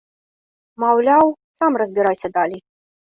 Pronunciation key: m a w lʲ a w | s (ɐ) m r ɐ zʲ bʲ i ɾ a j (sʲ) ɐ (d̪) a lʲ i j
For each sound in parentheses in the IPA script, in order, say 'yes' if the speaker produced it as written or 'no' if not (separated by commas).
no, yes, yes